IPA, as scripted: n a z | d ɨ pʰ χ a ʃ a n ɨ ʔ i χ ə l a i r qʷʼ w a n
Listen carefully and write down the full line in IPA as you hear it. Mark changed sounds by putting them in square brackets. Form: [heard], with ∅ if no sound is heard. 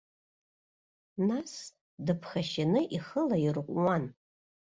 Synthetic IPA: n a [s] | d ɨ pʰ χ a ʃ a n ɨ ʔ i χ ə l a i r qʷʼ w a n